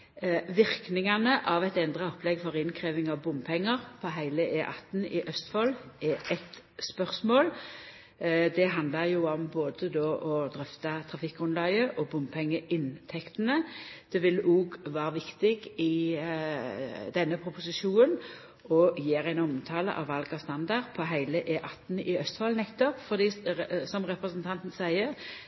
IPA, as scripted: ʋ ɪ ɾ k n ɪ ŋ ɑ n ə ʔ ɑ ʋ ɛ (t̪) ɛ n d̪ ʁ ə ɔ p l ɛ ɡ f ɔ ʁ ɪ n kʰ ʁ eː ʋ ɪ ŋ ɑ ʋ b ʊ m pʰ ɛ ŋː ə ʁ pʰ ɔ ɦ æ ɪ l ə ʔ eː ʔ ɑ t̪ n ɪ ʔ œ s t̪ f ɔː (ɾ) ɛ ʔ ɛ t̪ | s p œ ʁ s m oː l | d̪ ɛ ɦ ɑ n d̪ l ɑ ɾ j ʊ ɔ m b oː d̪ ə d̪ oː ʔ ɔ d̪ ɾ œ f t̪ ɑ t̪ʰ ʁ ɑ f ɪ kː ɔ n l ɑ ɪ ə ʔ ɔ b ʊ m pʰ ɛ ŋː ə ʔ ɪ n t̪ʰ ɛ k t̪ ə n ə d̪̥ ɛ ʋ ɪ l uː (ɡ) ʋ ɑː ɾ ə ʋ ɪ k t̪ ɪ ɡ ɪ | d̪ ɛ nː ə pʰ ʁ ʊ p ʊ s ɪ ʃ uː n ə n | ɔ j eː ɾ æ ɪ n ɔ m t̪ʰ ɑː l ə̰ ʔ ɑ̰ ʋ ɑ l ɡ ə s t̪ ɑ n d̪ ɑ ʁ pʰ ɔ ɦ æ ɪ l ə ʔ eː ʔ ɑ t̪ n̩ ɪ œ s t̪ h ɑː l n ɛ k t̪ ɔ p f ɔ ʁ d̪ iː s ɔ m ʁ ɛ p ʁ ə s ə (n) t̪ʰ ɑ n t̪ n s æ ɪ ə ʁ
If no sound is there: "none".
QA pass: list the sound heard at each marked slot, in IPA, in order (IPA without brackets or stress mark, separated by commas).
t̪, l, ɡ, n